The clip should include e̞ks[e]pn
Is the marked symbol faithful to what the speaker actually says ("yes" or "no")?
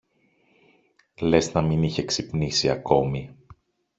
no